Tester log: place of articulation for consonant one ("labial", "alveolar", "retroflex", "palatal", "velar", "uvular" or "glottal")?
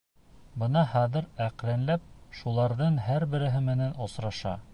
labial